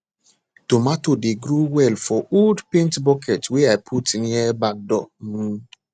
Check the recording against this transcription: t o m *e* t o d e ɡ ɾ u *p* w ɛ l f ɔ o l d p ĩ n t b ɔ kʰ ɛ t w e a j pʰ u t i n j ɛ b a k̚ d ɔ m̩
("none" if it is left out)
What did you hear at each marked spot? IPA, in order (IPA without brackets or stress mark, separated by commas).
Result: a, none